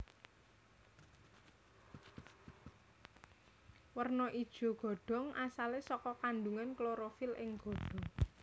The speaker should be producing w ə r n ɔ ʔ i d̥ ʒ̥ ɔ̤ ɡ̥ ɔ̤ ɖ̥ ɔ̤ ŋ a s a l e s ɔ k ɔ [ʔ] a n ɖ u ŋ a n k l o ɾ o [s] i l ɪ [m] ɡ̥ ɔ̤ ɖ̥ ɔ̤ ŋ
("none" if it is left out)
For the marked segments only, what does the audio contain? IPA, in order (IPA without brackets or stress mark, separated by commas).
k, f, ŋ